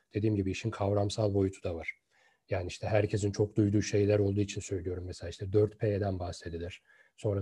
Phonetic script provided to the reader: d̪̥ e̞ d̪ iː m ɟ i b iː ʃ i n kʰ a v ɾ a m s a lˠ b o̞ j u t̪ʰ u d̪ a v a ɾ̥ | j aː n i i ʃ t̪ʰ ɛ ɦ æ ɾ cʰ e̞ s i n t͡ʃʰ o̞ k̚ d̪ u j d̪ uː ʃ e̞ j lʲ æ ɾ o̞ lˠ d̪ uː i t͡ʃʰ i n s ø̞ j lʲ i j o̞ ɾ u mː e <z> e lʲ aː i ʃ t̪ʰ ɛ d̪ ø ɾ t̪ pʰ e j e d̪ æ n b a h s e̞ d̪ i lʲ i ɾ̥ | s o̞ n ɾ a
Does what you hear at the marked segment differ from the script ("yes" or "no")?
yes